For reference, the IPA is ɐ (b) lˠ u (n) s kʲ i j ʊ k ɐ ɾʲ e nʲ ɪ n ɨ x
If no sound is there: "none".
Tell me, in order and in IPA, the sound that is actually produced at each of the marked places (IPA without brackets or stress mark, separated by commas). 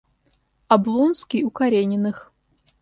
b, n